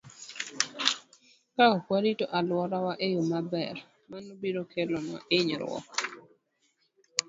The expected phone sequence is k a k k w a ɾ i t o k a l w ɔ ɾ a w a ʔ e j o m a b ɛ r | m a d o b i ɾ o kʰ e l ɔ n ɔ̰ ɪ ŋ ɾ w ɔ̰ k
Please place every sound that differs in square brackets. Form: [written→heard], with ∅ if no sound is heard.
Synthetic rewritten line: k a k k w a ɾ i t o [k→ʔ] a l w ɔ ɾ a w a ʔ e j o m a b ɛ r | m a [d→n] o b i ɾ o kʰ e l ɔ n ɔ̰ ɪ [ŋ→ɲ] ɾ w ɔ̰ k

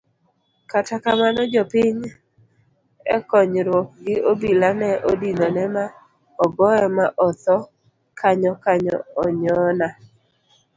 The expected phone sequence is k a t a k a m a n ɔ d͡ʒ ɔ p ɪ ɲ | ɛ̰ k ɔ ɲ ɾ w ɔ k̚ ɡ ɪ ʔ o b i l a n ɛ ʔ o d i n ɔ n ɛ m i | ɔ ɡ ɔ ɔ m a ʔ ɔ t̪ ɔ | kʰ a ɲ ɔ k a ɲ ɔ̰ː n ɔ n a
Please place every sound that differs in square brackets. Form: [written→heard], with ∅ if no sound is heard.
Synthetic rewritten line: k a t a k a m a n ɔ d͡ʒ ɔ p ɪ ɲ | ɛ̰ k ɔ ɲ ɾ w ɔ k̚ ɡ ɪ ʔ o b i l a n ɛ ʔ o d i n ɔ n ɛ m [i→a] | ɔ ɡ ɔ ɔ m a ʔ ɔ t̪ ɔ | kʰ a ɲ ɔ k a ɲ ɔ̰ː [n→ɲ] ɔ n a

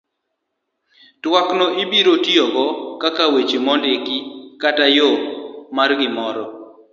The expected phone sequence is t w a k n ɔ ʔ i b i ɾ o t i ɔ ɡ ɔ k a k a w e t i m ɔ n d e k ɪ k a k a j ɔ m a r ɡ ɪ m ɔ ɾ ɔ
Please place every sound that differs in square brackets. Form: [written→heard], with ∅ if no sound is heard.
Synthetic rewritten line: t w a k n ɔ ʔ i b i ɾ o t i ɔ ɡ ɔ k a k a w e [t→t͡ʃ] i m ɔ n d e k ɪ k a [k→t] a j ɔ m a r ɡ ɪ m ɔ ɾ ɔ

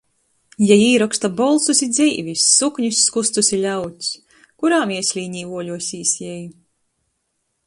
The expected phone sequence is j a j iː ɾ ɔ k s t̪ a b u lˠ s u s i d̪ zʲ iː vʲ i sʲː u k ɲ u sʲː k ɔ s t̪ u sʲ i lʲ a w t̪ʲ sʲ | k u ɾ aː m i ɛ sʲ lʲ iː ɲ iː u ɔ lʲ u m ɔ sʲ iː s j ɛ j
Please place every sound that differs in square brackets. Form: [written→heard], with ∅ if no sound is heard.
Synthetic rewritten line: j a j iː ɾ ɔ k s t̪ a b [u→ɔ] lˠ s u s i d̪ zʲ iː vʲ i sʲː u k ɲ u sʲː k [ɔ→u] s t̪ u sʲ i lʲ a w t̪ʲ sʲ | k u ɾ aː m i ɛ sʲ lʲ iː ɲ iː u ɔ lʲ u [m→∅] ɔ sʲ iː s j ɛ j

